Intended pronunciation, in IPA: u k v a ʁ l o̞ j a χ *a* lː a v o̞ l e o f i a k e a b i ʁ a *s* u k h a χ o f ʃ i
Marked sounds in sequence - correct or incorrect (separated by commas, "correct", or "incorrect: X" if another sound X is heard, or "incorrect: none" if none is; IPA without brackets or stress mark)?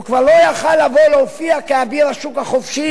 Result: correct, incorrect: ʃ